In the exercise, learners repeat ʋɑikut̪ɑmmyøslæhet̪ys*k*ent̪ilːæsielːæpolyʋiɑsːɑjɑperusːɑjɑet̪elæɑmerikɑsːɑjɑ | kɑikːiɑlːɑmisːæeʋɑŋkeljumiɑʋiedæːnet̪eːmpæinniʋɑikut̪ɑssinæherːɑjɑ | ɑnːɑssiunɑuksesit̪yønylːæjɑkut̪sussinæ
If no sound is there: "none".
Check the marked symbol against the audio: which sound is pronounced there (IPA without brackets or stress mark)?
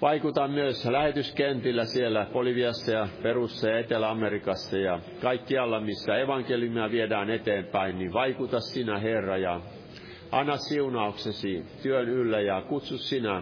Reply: k